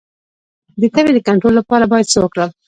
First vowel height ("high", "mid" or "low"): mid